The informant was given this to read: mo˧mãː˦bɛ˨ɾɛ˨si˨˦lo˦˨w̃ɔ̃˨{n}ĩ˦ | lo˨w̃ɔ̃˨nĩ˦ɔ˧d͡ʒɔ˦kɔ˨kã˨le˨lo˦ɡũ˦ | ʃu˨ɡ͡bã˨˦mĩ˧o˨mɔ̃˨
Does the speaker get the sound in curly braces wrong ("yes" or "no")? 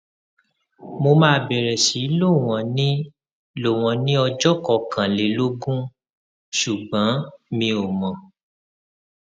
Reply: no